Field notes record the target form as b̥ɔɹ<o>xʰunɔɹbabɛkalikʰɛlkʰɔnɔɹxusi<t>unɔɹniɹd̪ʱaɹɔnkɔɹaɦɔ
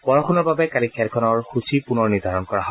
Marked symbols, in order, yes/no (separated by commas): no, no